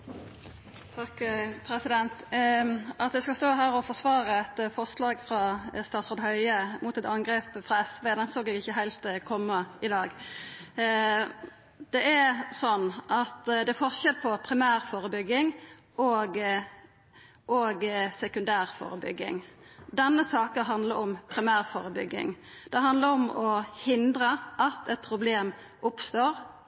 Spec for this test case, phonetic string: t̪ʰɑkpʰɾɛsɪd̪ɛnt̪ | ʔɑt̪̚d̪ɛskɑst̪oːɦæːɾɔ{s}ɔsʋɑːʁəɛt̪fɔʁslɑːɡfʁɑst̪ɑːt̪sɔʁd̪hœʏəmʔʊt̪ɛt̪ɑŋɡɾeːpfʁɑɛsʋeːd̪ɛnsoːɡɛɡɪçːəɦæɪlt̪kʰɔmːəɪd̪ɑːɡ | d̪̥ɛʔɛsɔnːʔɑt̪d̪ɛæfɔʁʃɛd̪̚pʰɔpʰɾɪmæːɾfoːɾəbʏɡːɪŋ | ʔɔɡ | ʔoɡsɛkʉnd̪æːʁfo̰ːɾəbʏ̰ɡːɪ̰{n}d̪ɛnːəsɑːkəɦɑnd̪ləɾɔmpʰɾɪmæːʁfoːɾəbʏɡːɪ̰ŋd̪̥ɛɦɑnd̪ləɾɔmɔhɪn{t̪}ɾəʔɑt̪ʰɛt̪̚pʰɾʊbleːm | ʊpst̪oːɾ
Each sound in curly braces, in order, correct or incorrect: incorrect, incorrect, incorrect

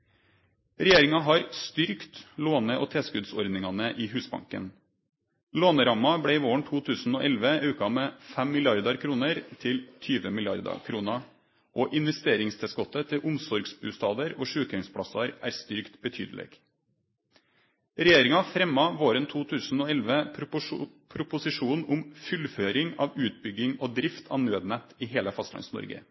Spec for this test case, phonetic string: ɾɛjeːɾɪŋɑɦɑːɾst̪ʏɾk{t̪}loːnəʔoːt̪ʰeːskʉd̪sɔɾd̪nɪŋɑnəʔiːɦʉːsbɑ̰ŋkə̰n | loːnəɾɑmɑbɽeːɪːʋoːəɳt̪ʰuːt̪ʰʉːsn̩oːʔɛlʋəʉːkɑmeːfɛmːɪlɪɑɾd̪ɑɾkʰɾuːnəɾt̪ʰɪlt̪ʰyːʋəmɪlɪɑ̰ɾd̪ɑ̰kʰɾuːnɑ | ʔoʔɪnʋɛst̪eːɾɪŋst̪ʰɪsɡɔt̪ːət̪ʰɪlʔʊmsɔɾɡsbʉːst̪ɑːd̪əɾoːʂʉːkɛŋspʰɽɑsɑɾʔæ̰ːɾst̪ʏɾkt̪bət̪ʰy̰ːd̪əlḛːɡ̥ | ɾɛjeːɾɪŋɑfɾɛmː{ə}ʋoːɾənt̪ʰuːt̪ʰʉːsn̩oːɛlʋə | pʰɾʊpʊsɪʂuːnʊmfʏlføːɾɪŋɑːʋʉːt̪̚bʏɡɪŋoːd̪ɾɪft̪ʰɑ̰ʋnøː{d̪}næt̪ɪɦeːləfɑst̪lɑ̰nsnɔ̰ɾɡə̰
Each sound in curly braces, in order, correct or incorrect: correct, incorrect, correct

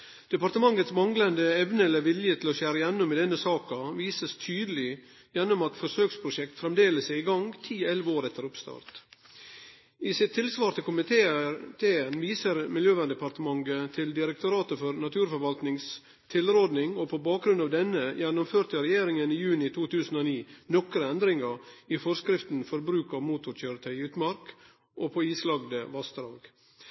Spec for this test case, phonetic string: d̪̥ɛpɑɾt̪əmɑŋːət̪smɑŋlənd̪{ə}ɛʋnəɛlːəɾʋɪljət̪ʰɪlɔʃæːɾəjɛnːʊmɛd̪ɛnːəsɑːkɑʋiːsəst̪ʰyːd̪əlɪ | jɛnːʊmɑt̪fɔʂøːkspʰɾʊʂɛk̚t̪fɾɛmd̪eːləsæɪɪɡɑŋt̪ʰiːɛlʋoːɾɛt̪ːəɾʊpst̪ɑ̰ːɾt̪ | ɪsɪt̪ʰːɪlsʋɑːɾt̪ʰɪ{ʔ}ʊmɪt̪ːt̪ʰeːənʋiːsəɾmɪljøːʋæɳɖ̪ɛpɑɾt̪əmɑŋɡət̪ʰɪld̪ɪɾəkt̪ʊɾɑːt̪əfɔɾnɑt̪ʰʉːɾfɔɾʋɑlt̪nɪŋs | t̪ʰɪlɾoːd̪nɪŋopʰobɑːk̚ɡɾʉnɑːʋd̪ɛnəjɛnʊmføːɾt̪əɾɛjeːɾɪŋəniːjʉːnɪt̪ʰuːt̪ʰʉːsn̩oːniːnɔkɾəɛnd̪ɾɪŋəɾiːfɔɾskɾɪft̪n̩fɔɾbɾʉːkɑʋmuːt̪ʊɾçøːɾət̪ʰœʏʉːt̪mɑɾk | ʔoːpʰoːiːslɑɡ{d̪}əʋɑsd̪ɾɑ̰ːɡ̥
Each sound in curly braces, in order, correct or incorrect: correct, incorrect, correct

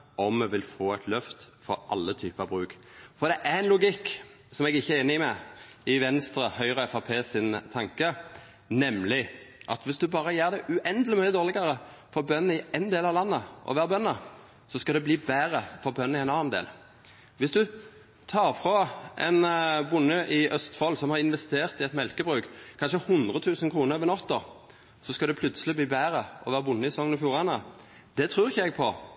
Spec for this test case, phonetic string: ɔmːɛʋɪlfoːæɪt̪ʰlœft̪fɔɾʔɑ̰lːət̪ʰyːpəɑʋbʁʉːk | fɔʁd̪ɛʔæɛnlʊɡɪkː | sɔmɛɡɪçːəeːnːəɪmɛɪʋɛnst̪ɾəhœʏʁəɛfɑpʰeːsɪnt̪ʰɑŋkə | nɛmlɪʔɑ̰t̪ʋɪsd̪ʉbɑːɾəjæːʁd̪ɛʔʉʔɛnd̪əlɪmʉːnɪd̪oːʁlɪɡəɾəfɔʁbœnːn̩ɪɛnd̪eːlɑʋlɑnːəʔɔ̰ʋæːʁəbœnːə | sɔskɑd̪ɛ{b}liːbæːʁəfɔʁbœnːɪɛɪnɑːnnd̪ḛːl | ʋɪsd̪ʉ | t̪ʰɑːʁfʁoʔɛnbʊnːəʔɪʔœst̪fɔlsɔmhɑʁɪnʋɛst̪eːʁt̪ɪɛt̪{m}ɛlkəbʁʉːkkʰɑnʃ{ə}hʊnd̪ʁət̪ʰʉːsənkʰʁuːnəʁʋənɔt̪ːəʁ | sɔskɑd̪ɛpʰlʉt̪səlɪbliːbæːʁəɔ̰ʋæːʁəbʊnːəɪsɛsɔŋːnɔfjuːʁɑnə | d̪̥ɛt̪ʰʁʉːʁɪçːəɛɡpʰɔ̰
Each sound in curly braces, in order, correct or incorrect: correct, correct, correct

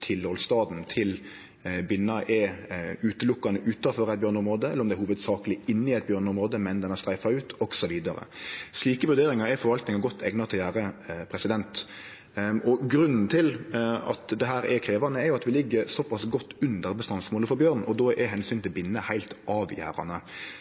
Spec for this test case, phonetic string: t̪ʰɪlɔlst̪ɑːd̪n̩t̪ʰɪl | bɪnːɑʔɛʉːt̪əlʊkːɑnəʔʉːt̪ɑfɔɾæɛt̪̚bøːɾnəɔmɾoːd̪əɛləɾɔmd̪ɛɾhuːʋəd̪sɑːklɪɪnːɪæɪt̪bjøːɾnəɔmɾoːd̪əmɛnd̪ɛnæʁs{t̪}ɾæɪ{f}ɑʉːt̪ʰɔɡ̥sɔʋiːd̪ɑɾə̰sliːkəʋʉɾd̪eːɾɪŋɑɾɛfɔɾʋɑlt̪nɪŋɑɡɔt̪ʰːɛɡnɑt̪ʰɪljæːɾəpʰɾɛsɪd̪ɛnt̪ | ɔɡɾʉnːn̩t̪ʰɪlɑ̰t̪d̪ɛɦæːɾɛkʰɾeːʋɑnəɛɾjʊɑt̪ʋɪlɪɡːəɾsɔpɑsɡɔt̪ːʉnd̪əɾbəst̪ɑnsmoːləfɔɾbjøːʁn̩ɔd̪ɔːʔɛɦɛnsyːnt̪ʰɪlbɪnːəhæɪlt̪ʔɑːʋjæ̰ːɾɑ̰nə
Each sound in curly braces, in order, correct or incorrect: correct, correct

